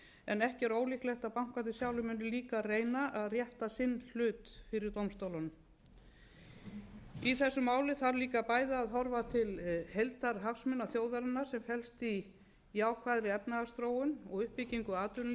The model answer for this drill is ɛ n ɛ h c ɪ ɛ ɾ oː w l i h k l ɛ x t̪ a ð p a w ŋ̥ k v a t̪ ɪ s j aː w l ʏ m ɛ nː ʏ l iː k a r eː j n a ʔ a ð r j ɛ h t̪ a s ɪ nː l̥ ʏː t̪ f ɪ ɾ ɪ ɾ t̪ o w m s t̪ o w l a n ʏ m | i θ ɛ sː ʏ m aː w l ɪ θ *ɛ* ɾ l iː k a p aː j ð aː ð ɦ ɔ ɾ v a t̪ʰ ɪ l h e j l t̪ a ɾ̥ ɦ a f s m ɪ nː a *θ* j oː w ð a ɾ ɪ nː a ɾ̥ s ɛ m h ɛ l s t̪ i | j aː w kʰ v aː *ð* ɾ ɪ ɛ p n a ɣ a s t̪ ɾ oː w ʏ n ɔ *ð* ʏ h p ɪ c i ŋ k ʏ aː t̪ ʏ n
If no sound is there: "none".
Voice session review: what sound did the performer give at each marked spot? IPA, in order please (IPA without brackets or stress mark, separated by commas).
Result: a, θ, ð, ɣ